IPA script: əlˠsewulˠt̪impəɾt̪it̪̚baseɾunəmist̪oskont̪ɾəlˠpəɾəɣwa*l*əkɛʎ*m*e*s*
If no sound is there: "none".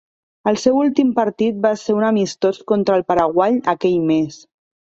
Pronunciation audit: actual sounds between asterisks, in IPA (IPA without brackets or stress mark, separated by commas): ʎ, m, s